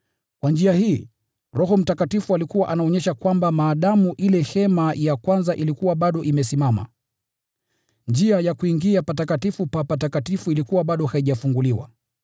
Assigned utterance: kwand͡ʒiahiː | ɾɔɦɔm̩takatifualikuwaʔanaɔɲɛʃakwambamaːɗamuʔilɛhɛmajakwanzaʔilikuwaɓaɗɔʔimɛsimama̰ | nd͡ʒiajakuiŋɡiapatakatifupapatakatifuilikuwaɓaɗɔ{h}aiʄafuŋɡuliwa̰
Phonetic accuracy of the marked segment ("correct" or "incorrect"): correct